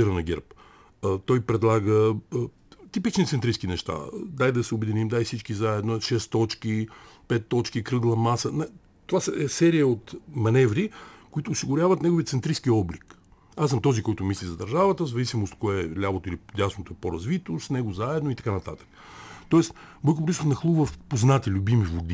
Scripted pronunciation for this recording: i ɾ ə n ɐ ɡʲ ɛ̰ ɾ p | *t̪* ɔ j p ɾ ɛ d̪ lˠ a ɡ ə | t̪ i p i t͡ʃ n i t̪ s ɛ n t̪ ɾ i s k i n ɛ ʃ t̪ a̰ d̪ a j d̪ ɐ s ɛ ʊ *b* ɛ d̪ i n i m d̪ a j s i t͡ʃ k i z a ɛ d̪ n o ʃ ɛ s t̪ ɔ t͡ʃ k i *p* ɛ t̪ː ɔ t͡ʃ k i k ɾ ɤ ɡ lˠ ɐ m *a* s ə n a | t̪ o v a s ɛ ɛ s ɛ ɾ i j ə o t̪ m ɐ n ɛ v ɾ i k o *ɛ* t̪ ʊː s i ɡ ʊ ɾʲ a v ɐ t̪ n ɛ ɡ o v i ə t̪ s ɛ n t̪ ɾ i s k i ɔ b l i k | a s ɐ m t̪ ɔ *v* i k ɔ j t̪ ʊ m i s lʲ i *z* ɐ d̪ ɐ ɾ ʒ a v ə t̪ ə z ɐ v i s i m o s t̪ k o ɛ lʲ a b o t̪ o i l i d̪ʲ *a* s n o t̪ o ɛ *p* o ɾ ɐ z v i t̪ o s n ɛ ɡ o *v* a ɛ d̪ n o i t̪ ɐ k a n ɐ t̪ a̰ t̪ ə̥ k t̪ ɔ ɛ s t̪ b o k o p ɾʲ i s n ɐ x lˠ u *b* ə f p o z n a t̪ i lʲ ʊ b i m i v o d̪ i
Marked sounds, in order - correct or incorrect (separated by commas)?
correct, correct, correct, correct, incorrect, incorrect, correct, correct, correct, incorrect, incorrect